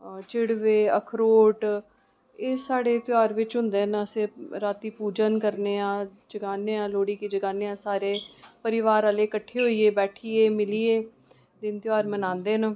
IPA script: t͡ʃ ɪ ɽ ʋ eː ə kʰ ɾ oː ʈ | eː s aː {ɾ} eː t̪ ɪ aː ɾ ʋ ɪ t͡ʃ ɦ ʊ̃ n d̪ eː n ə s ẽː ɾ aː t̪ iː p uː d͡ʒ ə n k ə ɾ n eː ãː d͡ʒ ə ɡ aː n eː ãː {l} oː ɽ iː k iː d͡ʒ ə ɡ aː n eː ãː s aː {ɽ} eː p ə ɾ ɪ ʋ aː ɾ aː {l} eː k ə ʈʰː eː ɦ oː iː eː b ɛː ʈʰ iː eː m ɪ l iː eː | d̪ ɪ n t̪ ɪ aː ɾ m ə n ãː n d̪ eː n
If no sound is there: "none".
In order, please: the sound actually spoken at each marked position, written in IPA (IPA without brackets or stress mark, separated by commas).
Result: ɽ, l, ɾ, l